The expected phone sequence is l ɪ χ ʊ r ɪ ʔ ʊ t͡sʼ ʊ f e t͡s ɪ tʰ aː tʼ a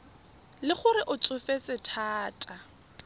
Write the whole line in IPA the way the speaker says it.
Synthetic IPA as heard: l ɪ χ ʊ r ɪ ʔ ʊ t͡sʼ ʊ f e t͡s ɪ tʰ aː tʼ a